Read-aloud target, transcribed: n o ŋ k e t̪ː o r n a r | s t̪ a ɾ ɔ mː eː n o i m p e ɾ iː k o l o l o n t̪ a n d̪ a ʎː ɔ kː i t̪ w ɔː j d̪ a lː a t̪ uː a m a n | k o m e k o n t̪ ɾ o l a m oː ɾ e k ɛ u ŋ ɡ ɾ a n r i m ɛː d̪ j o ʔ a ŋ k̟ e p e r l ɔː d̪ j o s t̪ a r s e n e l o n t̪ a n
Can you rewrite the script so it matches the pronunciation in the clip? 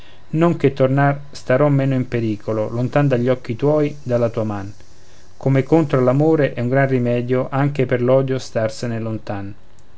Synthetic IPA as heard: n o ŋ k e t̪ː o r n a r | s t̪ a ɾ ɔ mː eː n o i m p e ɾ iː k o l o l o n t̪ a n d̪ a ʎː ɔ kː i t̪ w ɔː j d̪ a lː a t̪ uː a m a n | k o m e k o n t̪ ɾ o l a m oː ɾ e ʔ ɛ u ŋ ɡ ɾ a n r i m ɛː d̪ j o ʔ a ŋ k̟ e p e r l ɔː d̪ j o s t̪ a r s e n e l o n t̪ a n